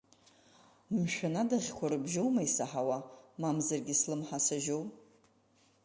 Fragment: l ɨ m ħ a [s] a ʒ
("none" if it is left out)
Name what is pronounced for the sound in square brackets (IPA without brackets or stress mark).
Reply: s